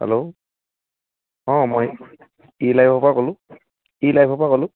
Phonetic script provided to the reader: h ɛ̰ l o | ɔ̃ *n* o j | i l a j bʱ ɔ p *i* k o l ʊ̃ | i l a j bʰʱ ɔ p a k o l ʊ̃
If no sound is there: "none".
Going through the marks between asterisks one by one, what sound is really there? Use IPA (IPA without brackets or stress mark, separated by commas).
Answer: m, a